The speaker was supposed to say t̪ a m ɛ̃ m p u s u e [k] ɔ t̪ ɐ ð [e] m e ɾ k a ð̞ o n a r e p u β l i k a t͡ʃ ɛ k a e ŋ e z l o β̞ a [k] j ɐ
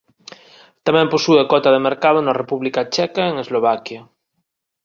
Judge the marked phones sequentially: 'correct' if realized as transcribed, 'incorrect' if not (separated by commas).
correct, correct, correct